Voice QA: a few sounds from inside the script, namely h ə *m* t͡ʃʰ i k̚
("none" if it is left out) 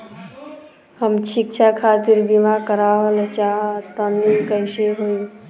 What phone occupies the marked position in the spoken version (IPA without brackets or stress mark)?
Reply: m